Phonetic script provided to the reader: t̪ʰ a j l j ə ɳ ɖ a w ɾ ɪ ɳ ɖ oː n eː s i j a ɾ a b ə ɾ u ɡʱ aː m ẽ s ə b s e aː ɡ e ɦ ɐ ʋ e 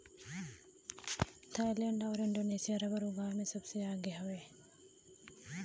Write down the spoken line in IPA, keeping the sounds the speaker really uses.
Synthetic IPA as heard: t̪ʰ a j l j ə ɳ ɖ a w ɾ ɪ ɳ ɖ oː n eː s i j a ɾ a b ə ɾ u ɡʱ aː m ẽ s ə b s e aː ɡ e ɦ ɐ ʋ e